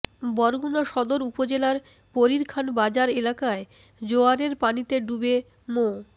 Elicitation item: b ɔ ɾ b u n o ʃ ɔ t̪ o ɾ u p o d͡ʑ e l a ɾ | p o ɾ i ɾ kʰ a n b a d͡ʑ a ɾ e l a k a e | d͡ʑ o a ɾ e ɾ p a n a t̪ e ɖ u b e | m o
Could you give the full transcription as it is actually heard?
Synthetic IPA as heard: b ɔ ɾ ɡ u n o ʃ ɔ d̪ o ɾ u p o d͡ʑ e l a ɾ | p o ɾ i ɾ kʰ a n b a d͡ʑ a ɾ e l a k a e | d͡ʑ o a ɾ e ɾ p a n i t̪ e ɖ u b e | m o